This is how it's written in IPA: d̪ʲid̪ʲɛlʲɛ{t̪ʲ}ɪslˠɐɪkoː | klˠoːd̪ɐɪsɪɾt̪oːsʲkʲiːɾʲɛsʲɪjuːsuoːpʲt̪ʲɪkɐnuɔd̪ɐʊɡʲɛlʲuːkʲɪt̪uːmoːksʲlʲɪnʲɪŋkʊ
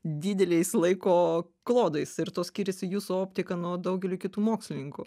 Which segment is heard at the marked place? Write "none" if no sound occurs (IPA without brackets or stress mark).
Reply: none